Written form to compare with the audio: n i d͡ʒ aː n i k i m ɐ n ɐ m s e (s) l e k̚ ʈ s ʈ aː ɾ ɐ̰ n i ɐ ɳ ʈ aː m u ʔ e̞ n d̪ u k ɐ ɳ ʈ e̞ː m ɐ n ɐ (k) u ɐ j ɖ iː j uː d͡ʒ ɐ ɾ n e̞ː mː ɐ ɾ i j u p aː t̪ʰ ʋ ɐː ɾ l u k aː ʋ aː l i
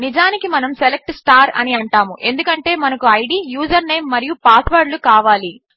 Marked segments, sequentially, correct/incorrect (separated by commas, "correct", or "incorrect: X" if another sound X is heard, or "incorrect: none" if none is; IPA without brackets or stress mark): incorrect: none, correct